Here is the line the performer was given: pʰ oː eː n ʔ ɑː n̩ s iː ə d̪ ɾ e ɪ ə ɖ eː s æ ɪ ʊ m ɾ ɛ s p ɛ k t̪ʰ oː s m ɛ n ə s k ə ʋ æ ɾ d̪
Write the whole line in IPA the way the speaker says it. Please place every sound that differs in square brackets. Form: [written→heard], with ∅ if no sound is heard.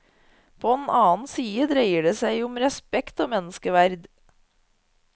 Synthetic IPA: pʰ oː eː n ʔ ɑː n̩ s iː ə d̪ ɾ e ɪ ə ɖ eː s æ ɪ ʊ m ɾ ɛ s p ɛ k [t̪ʰ→t̪] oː [s→∅] m ɛ n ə s k ə ʋ æ ɾ d̪